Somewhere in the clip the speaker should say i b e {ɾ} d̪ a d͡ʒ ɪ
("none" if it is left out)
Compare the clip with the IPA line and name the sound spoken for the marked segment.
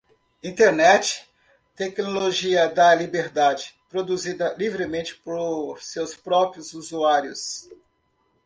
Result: ɾ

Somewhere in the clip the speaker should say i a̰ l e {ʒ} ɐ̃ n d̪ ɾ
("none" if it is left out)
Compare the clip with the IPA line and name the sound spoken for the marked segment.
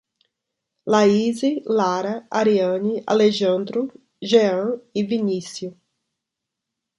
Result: ʒ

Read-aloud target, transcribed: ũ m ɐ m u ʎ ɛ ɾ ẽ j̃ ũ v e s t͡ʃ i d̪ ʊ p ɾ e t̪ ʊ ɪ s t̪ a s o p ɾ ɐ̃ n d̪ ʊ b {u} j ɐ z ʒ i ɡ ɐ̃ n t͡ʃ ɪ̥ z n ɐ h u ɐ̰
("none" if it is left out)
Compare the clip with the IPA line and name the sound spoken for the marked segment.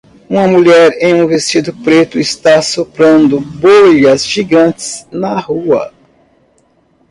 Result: o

